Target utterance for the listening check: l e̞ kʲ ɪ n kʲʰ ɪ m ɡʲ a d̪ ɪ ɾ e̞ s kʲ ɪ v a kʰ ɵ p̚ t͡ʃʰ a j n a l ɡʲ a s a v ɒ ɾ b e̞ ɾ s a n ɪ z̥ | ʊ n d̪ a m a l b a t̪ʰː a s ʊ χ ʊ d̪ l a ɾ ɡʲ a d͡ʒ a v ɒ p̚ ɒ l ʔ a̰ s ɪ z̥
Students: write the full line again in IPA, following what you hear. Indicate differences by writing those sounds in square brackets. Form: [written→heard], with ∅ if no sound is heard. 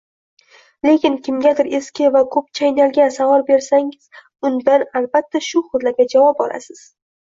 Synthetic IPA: l e̞ kʲ ɪ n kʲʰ ɪ m ɡʲ a d̪ ɪ ɾ e̞ s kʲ ɪ v a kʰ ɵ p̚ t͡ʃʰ a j n a l ɡʲ a s a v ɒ ɾ b e̞ ɾ s a [n→ŋ] ɪ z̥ | ʊ n d̪ a [m→n] a l b a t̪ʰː a [s→ʃ] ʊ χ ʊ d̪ l a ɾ ɡʲ a d͡ʒ a v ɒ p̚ ɒ l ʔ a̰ s ɪ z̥